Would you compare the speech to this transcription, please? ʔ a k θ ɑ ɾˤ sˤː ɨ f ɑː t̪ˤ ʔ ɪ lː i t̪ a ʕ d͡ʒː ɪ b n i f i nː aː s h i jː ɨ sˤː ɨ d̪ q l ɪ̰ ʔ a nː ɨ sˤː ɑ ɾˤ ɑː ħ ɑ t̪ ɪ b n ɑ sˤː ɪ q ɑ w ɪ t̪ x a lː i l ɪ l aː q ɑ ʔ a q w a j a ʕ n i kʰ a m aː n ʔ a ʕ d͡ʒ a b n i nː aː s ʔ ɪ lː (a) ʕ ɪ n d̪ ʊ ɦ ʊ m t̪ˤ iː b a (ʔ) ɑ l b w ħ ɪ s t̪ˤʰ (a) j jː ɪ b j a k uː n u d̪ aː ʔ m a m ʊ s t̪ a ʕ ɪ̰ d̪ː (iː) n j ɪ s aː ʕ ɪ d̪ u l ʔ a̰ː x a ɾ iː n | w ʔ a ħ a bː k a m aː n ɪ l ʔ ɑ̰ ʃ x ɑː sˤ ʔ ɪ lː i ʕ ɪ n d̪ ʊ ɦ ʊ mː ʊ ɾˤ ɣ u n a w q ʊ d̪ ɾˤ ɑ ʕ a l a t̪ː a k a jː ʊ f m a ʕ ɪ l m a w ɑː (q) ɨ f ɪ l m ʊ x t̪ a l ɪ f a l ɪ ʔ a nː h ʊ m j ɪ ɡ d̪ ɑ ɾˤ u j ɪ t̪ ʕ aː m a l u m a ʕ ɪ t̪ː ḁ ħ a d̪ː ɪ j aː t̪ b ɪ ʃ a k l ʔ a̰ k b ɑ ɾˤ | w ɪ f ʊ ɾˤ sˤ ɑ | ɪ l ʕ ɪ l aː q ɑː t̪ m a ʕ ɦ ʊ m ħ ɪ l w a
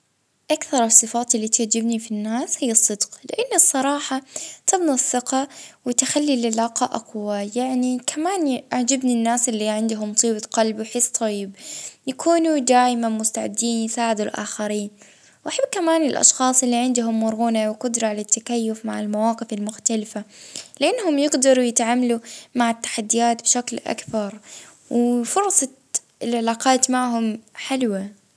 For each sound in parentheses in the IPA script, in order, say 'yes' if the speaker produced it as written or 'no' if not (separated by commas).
no, no, no, yes, yes